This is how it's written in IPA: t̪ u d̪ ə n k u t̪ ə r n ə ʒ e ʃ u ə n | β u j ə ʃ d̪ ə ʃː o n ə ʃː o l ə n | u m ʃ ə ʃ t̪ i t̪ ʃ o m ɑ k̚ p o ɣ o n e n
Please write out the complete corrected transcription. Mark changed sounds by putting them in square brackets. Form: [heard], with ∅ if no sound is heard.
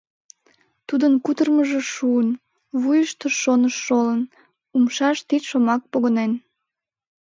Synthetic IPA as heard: t̪ u d̪ ə n k u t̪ ə r [m] ə ʒ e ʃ u ə n | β u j ə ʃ [t̪] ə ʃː o n ə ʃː o l ə n | u m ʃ [ɑ] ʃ t̪ i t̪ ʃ o m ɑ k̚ p o ɣ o n e n